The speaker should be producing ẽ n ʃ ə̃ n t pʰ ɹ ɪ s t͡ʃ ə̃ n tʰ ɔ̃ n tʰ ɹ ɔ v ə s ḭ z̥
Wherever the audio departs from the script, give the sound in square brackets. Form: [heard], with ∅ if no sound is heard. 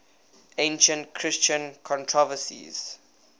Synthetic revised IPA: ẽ n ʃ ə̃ n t [kʰ] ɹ ɪ s t͡ʃ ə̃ n [kʰ] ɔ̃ n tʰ ɹ ɔ v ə s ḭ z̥